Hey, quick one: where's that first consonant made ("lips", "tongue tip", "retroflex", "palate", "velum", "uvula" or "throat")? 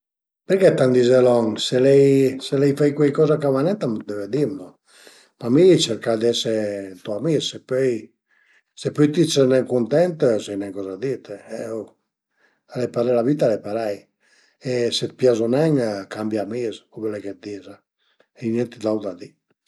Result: lips